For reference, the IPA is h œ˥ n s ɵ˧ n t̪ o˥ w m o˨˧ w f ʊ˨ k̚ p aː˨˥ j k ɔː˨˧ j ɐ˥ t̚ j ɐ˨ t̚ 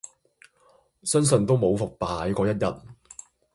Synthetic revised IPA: s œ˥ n s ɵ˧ n t̪ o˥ w m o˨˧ w f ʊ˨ k̚ p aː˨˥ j k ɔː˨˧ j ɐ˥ t̚ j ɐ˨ t̚

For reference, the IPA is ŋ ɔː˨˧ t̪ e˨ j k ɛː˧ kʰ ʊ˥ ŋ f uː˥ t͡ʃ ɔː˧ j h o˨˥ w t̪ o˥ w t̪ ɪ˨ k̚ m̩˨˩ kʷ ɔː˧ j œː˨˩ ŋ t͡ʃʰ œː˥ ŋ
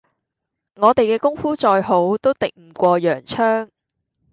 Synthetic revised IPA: ŋ ɔː˨˧ t̪ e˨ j k ɛː˧ k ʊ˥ ŋ f uː˥ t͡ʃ ɔː˧ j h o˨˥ w t̪ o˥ w t̪ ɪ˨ k̚ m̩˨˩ kʷ ɔː˧ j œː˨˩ ŋ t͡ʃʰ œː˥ ŋ

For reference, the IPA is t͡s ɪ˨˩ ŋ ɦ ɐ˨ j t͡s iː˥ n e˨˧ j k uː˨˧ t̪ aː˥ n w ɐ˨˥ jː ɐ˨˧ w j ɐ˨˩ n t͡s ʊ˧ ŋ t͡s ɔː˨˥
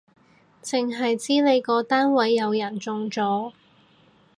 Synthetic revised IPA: t͡s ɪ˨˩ ŋ ɦ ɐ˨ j t͡s iː˥ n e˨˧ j k ɔː˨˧ t̪ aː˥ n w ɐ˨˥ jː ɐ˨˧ w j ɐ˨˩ n t͡s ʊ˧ ŋ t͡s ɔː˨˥

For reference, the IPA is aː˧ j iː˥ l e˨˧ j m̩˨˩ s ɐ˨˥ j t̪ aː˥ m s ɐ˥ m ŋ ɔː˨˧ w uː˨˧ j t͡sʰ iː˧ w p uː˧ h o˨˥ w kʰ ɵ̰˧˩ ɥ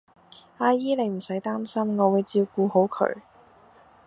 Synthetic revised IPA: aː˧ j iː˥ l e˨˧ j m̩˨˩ s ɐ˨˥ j t̪ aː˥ m s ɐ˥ m ŋ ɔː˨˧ w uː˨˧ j t͡s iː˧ w k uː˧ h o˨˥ w kʰ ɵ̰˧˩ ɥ

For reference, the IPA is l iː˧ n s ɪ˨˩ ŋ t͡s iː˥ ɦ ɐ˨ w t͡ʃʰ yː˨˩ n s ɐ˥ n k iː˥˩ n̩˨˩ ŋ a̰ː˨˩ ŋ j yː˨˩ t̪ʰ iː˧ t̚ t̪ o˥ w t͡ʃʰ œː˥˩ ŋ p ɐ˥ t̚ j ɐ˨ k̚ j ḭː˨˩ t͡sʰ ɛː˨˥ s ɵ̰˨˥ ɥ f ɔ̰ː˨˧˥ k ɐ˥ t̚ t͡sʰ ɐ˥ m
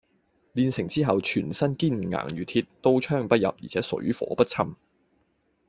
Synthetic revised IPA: l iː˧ n s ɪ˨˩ ŋ t͡s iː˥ ɦ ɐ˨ w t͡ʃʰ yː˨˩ n s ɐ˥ n k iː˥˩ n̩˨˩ ŋ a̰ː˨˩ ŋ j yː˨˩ t̪ʰ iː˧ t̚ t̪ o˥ w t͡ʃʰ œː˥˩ ŋ p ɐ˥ t̚ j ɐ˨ p̚ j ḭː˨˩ t͡sʰ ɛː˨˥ s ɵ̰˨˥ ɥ f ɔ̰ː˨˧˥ p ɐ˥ t̚ t͡sʰ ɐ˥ m

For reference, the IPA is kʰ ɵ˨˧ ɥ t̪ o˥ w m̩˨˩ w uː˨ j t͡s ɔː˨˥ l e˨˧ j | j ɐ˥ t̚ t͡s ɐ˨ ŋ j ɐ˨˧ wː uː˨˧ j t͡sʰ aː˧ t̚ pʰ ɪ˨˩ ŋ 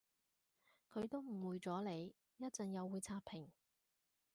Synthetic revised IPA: kʰ ɵ˨˧ ɥ t̪ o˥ w m̩˨˩ w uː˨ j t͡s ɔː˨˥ l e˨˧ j | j ɐ˥ t̚ t͡s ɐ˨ ŋ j ɐ˨˧ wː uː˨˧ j t͡sʰ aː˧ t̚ pʰ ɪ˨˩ ŋ

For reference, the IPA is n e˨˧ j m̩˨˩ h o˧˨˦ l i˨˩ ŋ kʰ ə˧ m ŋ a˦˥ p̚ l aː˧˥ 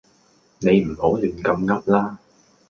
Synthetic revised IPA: n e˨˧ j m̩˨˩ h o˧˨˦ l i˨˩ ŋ k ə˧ m ŋ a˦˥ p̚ l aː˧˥

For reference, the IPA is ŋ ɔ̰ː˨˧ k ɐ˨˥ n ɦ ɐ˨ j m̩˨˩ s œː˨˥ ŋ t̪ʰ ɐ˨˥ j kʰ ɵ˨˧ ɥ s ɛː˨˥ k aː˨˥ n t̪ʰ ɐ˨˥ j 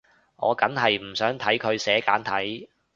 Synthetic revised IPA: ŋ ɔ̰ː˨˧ k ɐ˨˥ n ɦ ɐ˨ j m̩˨˩ s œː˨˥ ŋ t̪ʰ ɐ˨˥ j kʰ ɵ˨˧ ɥ s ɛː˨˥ k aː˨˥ n t̪ʰ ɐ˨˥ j

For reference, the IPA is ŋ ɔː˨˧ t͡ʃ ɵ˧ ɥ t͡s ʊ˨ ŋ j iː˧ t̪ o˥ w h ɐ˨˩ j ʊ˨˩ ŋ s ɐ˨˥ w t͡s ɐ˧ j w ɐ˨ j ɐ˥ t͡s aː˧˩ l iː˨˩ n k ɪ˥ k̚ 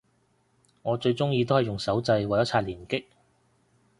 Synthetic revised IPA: ŋ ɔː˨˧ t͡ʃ ɵ˧ ɥ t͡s ʊ˥ ŋ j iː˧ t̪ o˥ w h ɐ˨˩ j ʊ˨˩ ŋ s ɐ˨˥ w t͡s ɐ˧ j w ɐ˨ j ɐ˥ t͡sʰ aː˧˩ l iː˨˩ n k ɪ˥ k̚

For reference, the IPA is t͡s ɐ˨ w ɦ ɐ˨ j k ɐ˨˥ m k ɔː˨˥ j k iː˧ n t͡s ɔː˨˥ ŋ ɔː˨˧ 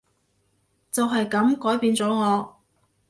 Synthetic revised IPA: t͡s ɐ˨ w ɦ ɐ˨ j k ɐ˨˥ m k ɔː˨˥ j p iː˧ n t͡s ɔː˨˥ ŋ ɔː˨˧

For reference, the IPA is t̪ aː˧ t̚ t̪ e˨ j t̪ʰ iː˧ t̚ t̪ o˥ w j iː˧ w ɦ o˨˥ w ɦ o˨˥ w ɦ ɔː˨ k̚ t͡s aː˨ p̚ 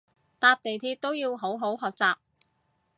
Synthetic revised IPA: t̪ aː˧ p̚ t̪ e˨ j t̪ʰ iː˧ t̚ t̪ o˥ w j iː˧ w ɦ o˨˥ w ɦ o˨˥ w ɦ ɔː˨ k̚ t͡s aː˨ p̚

